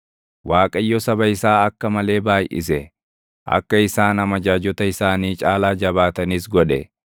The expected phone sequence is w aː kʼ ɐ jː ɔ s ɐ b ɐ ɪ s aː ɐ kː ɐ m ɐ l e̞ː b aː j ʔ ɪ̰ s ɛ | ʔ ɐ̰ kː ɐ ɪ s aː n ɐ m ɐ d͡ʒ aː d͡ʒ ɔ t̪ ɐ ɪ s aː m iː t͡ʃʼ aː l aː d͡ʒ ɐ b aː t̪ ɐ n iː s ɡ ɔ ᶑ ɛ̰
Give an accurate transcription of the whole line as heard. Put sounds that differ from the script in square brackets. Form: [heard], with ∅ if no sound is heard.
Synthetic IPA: w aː kʼ ɐ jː ɔ s ɐ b ɐ ɪ s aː ɐ kː ɐ m ɐ l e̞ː b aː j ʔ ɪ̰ s ɛ | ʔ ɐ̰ kː ɐ ɪ s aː n ɐ m ɐ d͡ʒ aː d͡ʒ ɔ t̪ ɐ ɪ s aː [n] iː t͡ʃʼ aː l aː d͡ʒ ɐ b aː t̪ ɐ n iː s ɡ ɔ ᶑ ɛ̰